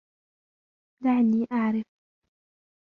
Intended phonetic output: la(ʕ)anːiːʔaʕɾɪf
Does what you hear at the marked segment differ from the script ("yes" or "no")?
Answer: no